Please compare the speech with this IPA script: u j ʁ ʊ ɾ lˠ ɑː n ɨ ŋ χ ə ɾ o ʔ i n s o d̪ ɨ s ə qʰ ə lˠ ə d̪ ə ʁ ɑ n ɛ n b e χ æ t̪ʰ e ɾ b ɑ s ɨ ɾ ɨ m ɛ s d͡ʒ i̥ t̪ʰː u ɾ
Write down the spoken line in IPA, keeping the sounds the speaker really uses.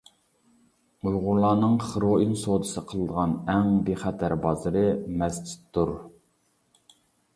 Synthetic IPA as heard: u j ʁ ʊ ɾ lˠ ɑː n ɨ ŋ χ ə ɾ o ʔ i n s o d̪ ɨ s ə qʰ ə lˠ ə d̪ ə ʁ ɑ n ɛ ŋ b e χ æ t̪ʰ æ ɾ b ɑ z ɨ ɾ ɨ m ɛ s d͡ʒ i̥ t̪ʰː u ɾ